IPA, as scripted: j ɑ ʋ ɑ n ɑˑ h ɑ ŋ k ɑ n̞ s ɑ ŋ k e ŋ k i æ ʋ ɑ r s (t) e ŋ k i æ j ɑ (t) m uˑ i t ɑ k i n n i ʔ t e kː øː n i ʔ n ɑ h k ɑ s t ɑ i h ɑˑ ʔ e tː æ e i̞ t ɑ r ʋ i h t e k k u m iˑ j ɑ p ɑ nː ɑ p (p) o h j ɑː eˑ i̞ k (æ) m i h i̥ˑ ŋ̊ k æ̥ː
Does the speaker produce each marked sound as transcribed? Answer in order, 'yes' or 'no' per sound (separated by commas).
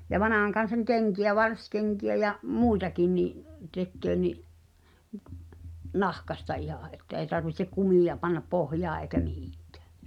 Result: no, no, yes, yes